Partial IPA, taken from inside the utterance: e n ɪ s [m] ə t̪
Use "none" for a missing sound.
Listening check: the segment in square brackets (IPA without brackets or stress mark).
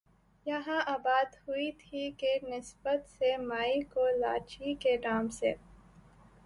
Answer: b